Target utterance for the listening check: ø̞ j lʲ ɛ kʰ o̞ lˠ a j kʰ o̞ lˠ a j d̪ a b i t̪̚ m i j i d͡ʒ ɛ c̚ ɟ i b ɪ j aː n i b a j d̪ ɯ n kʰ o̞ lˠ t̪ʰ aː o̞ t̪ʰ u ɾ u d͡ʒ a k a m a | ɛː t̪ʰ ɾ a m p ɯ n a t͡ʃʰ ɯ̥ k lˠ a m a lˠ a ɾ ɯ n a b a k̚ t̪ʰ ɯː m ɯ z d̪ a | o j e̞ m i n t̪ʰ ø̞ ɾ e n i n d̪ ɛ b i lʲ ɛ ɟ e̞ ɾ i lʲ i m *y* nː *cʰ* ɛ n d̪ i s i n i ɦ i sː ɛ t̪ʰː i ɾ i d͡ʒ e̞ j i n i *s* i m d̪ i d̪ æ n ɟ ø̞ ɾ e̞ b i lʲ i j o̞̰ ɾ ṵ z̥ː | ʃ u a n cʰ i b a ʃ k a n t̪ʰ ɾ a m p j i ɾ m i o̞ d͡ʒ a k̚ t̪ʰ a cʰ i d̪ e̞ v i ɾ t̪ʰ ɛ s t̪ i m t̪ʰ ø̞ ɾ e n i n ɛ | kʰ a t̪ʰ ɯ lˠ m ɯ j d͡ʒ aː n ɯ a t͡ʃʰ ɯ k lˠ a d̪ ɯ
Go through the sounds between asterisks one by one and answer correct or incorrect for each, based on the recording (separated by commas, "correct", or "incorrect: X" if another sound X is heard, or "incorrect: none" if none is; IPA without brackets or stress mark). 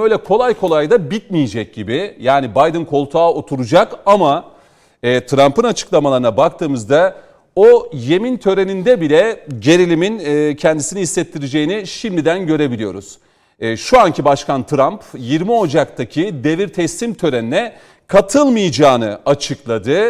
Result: incorrect: i, correct, incorrect: ʃ